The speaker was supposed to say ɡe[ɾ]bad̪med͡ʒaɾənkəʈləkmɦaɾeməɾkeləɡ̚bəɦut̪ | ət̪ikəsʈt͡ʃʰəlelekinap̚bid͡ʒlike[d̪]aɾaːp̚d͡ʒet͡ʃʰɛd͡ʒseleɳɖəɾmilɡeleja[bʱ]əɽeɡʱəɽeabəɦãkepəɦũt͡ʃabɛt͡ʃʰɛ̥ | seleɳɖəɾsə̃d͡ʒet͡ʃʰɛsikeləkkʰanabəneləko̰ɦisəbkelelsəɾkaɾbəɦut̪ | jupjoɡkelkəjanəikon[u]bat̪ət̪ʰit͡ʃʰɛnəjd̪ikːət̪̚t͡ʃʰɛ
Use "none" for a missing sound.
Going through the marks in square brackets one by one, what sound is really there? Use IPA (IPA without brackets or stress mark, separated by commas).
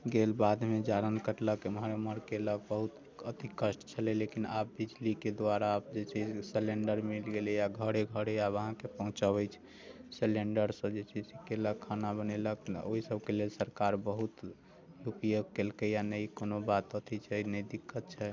l, d̪, ɡʱ, o